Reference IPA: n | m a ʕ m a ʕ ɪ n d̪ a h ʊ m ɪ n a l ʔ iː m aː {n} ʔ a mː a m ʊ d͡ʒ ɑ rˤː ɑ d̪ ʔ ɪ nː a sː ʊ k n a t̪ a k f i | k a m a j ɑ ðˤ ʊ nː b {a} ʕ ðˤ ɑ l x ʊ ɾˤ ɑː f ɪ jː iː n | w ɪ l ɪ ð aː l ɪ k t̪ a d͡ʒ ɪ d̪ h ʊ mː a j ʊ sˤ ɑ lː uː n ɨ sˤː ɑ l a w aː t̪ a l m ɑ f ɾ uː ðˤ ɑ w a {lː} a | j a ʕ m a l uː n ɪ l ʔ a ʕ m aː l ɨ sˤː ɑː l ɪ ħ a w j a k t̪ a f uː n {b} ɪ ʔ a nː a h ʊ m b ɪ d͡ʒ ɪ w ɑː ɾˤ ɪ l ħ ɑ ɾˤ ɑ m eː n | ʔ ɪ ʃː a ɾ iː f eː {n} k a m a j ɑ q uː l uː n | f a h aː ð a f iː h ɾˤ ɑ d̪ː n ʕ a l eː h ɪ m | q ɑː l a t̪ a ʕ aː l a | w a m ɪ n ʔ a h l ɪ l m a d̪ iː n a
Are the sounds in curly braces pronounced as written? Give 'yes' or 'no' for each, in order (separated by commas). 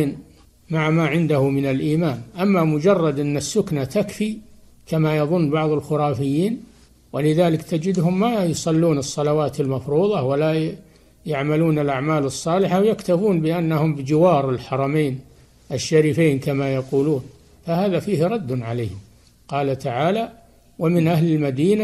yes, no, no, yes, yes